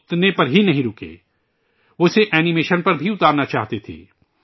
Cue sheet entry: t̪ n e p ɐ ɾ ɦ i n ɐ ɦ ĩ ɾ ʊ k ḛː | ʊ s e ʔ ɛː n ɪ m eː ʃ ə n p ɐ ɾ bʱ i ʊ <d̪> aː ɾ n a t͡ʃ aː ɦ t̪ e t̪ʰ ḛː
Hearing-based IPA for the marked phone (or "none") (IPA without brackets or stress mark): t̪